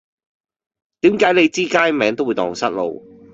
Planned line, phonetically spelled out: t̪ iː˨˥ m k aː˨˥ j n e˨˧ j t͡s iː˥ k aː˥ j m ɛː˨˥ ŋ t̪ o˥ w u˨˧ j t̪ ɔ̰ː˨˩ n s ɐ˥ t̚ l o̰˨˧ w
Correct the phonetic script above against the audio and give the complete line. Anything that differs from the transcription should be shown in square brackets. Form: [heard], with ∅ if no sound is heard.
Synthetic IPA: t̪ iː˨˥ m k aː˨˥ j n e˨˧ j t͡s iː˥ k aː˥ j m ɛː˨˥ ŋ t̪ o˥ w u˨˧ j t̪ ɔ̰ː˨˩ [ŋ] s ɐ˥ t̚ l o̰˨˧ w